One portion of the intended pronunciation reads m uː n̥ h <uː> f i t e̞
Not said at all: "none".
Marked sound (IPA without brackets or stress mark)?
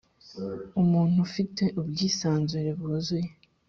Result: u